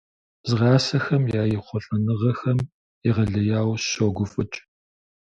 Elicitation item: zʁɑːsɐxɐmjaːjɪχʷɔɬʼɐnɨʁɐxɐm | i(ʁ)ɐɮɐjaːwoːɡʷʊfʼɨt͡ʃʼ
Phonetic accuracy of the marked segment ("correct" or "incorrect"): correct